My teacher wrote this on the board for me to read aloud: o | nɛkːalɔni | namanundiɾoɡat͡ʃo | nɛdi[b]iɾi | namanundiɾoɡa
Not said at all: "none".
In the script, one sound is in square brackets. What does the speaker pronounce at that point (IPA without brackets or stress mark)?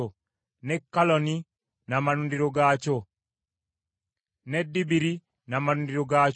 b